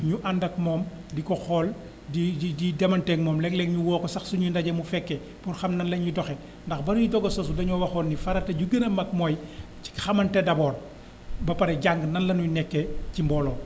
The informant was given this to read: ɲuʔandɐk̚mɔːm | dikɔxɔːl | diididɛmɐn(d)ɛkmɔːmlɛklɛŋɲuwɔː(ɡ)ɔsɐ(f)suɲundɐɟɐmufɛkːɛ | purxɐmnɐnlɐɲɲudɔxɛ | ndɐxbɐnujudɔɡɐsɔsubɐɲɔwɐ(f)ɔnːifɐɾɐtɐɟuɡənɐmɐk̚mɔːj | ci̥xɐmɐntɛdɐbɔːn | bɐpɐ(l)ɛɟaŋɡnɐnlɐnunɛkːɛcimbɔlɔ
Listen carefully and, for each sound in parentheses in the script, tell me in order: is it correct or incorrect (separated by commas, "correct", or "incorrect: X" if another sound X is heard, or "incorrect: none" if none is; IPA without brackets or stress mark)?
incorrect: t, incorrect: k, incorrect: x, incorrect: x, incorrect: ɾ